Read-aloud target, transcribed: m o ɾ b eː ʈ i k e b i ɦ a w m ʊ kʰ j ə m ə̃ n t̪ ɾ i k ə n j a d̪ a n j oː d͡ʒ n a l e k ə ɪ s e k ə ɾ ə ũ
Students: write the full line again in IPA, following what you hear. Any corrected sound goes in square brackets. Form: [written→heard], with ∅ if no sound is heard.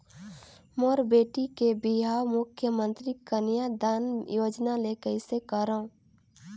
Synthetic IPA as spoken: m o ɾ b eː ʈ i k e b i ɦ a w m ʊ kʰ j ə m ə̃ n t̪ ɾ i k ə n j a d̪ a n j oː d͡ʒ n a l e k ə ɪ s e k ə ɾ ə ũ